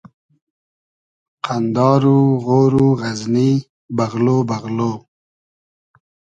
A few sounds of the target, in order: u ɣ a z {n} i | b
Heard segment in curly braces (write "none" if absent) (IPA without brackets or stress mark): n